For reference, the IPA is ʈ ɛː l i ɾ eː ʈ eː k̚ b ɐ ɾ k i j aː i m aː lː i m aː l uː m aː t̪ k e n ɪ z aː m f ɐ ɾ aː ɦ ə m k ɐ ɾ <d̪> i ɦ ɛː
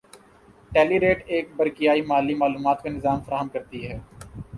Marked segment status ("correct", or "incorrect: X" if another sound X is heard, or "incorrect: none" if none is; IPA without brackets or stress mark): incorrect: t̪